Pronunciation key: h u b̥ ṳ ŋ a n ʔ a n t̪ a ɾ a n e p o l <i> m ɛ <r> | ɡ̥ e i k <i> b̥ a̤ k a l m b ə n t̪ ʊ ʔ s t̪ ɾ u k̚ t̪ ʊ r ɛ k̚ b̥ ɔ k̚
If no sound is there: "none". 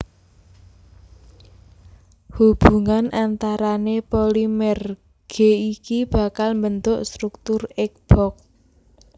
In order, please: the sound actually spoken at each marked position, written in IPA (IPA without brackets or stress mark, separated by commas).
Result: i, r, i